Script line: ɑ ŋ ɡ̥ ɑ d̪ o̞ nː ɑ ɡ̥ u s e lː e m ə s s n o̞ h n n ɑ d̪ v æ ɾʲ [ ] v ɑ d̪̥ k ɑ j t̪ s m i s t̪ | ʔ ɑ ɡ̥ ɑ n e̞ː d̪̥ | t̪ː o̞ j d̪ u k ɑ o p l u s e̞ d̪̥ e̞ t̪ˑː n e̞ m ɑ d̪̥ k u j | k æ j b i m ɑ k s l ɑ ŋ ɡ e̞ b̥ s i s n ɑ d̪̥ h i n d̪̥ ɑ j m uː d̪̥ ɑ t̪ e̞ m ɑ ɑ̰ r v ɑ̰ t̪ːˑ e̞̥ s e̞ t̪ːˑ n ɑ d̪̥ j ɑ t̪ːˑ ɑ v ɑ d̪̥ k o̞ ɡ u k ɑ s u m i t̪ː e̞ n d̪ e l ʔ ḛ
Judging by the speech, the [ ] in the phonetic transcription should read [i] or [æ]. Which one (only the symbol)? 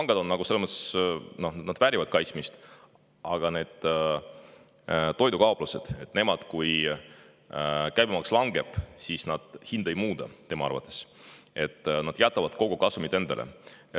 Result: i